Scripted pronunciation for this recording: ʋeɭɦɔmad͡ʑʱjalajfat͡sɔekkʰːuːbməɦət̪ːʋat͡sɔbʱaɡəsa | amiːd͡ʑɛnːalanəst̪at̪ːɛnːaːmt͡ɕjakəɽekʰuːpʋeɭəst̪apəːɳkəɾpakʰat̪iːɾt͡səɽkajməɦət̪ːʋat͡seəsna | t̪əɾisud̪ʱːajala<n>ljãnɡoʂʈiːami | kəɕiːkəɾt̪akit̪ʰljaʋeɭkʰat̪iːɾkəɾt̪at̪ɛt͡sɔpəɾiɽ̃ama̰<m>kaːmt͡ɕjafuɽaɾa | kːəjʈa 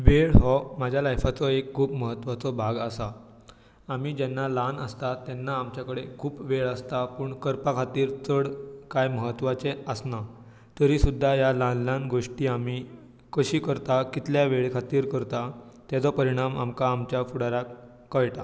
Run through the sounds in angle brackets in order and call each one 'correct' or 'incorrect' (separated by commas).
correct, correct